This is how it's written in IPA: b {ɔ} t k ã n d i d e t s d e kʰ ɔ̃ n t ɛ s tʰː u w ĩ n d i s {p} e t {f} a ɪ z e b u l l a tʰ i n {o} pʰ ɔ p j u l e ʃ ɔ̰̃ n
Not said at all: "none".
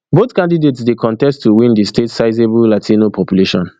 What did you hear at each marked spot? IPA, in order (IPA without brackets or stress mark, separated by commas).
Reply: o, t, s, o